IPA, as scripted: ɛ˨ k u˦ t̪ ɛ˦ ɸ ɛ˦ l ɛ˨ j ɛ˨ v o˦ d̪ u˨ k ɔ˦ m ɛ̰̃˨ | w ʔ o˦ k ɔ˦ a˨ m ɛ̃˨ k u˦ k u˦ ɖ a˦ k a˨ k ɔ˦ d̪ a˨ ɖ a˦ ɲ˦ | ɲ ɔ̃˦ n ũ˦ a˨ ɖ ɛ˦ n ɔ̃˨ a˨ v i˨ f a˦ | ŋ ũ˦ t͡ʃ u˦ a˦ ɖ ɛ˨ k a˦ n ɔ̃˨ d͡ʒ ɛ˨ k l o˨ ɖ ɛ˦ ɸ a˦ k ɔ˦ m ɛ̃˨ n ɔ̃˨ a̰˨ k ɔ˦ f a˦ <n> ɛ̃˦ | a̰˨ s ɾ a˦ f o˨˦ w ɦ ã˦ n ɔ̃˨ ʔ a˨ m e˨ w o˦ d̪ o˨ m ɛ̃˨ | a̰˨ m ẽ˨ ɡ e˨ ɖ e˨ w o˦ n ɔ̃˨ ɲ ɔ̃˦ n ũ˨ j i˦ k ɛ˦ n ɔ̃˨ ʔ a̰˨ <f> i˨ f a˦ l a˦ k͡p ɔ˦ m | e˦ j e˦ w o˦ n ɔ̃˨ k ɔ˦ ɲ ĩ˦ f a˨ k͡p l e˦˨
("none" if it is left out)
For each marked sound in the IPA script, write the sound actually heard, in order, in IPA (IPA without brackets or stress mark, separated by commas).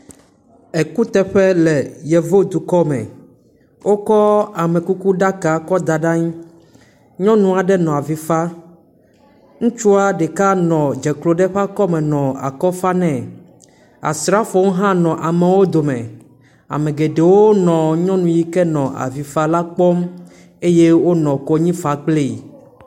n, v